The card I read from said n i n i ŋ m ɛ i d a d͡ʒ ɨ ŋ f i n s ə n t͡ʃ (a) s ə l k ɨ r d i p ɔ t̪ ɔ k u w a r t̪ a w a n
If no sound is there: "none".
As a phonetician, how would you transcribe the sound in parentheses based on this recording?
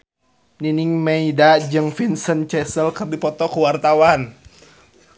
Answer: ɛ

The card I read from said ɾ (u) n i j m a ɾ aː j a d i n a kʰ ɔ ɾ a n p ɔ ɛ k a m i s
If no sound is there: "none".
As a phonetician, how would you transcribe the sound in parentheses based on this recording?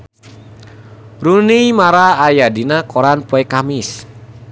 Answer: u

